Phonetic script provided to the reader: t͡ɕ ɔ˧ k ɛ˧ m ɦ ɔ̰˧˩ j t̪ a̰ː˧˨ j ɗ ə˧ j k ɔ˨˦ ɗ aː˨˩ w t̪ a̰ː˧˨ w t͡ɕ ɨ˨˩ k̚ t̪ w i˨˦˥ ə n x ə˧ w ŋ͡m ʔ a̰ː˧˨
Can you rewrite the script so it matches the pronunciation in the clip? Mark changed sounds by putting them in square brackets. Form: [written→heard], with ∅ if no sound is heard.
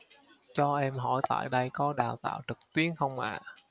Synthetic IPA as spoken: t͡ɕ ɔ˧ [k→ʔ] ɛ˧ m ɦ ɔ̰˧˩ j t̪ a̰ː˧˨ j ɗ ə˧ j k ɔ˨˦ ɗ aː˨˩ w t̪ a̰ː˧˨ w t͡ɕ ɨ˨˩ k̚ t̪ w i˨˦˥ ə n x ə˧ w ŋ͡m ʔ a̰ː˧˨